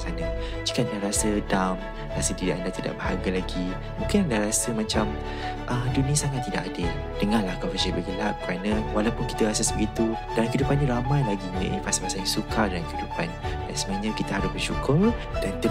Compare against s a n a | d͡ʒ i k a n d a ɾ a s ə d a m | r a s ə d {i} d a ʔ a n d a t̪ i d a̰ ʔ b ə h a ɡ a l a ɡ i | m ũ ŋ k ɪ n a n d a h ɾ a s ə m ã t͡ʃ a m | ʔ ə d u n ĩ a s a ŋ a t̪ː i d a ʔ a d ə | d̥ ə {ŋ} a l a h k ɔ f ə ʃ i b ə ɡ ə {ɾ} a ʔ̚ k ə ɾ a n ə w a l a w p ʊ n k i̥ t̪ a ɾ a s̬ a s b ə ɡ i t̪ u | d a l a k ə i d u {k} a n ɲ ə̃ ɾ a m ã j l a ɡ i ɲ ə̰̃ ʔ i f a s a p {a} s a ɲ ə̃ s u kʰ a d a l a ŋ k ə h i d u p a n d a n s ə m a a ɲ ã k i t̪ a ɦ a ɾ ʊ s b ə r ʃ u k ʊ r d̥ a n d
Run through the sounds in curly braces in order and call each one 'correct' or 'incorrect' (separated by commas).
correct, correct, incorrect, incorrect, correct